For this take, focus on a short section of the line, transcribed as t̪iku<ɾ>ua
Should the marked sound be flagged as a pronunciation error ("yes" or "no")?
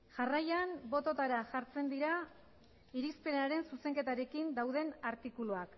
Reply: yes